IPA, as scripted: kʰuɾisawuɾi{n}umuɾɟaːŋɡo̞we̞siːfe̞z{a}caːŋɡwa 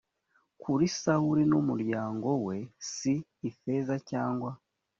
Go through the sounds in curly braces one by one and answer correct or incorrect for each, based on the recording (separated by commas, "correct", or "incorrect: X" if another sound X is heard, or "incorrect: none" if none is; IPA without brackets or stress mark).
correct, correct